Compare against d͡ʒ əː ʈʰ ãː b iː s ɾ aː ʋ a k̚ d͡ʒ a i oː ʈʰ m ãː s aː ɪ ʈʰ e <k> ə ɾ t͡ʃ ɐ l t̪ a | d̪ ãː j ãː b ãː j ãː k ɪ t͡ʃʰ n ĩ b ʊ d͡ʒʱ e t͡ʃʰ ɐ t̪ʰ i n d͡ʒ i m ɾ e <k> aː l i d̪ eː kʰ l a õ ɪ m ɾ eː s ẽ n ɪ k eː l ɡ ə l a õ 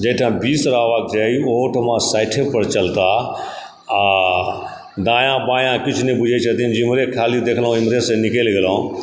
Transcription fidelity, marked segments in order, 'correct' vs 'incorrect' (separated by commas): incorrect, incorrect